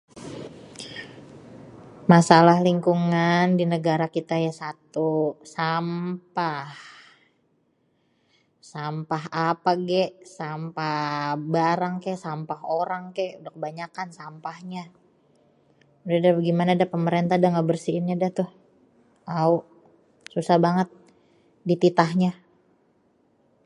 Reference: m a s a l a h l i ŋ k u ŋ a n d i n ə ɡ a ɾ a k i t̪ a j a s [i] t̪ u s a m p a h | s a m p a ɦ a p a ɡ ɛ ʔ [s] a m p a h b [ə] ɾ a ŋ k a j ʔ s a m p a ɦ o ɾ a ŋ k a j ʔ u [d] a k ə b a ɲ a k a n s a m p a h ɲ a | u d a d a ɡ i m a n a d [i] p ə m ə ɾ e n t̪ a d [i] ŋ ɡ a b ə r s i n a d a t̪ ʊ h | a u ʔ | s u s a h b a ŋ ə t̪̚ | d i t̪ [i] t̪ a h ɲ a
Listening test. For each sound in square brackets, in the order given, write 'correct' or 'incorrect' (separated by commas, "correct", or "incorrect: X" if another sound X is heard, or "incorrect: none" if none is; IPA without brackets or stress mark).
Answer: incorrect: a, correct, incorrect: a, correct, incorrect: a, incorrect: a, correct